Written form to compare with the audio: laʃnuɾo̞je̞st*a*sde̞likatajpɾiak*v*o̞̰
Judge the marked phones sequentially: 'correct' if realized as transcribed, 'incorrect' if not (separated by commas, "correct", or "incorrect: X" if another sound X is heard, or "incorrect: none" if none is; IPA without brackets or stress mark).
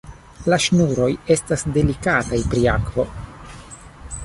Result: correct, correct